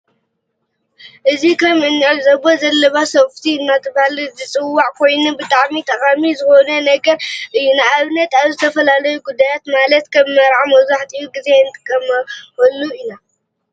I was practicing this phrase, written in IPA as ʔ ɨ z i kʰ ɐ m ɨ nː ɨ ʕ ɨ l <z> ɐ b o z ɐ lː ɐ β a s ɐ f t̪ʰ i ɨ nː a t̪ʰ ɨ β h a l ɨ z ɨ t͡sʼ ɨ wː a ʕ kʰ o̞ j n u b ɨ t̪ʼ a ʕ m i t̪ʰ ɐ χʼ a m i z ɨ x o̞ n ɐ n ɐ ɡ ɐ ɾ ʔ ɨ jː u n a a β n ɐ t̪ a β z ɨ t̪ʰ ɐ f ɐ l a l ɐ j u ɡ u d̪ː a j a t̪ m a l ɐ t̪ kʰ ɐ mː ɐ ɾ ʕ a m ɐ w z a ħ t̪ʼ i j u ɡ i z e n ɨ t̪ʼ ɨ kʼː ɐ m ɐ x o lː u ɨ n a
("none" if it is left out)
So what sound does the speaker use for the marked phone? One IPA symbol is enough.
z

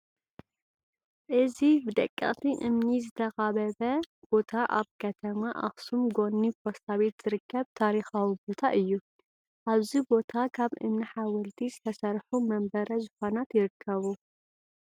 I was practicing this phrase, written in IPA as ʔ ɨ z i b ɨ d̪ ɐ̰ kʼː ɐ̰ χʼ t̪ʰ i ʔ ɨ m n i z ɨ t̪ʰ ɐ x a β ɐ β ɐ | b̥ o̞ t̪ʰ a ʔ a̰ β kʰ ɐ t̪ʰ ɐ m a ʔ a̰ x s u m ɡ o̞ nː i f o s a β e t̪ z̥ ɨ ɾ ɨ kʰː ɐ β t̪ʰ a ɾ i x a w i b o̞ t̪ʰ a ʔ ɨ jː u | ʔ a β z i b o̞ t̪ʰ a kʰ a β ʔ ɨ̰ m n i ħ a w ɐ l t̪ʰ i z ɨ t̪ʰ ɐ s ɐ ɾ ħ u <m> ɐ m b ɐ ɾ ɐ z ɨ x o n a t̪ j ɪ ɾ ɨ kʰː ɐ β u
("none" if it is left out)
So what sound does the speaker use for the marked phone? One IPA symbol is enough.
m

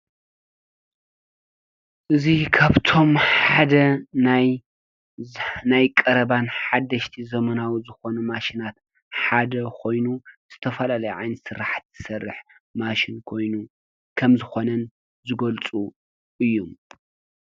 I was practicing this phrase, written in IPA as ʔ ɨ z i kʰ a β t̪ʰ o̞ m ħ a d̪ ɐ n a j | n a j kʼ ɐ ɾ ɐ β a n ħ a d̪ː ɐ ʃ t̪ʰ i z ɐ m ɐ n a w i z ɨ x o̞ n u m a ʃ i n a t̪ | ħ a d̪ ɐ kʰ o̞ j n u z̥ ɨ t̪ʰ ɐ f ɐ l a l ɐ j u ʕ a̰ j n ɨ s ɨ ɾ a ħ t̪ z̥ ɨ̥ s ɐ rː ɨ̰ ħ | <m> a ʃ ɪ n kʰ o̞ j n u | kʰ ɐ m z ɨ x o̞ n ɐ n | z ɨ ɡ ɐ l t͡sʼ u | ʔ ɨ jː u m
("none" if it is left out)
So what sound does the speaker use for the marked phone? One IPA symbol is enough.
m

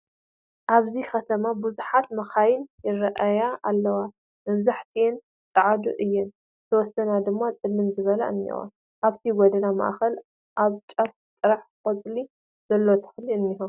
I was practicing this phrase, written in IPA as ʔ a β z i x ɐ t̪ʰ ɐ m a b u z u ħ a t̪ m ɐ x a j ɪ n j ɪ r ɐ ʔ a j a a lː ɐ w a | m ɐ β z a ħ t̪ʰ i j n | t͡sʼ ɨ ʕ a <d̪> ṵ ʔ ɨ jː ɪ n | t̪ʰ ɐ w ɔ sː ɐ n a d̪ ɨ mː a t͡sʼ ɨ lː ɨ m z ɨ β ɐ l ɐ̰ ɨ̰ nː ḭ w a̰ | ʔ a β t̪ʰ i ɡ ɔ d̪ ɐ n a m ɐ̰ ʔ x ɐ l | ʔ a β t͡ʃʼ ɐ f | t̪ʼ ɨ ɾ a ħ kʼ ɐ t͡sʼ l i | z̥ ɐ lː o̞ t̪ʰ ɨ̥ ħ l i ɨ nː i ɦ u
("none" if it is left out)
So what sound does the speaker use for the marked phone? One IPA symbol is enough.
d̪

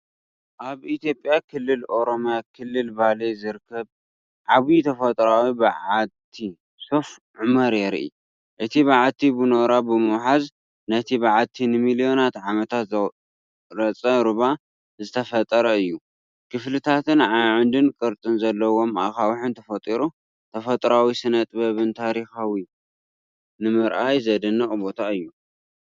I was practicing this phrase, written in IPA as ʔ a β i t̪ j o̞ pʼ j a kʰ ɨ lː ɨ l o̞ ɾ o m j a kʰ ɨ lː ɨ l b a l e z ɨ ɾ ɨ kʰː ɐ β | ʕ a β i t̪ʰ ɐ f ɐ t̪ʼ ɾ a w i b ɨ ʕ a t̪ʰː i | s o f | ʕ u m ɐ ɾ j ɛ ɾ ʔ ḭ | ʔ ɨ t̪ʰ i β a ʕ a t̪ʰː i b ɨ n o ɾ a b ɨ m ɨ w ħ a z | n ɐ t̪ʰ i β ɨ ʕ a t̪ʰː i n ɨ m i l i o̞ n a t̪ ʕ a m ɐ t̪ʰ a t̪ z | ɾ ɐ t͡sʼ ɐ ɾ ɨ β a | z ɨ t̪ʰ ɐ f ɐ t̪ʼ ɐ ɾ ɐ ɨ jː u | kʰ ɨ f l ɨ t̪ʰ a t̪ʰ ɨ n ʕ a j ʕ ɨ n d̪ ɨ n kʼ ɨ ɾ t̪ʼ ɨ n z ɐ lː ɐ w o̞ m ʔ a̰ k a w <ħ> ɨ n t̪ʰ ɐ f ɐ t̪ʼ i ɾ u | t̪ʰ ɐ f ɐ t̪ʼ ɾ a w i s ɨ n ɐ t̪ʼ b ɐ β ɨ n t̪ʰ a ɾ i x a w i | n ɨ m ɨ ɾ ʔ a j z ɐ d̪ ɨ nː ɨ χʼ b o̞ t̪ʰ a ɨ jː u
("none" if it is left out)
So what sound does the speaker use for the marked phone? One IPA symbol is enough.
ħ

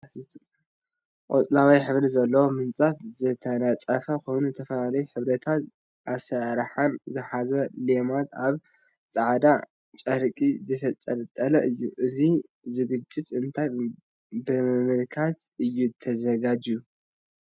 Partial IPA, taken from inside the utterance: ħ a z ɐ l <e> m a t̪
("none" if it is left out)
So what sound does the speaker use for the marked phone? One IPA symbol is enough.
e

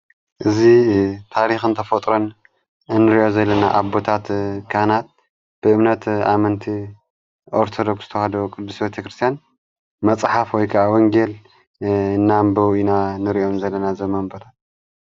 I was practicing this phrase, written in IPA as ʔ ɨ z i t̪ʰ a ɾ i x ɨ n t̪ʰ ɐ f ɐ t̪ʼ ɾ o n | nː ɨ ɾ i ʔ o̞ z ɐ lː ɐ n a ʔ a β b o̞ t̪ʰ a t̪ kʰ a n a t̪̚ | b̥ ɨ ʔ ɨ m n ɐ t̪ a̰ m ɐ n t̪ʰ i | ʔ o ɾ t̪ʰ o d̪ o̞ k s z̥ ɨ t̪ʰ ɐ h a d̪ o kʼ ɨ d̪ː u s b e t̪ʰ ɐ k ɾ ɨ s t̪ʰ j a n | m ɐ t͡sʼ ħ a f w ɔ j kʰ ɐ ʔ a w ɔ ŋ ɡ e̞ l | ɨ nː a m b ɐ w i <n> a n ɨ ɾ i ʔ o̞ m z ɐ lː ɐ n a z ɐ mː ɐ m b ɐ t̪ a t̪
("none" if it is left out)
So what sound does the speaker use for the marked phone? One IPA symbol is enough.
n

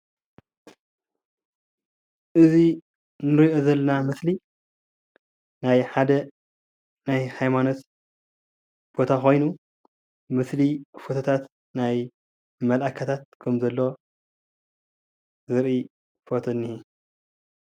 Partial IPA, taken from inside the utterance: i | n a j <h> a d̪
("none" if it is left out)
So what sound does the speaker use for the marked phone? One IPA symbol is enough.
ħ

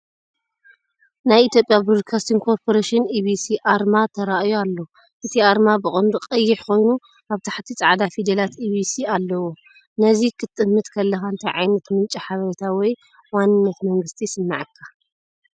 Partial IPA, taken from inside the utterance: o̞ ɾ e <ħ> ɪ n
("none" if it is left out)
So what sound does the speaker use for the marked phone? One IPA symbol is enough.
ʃ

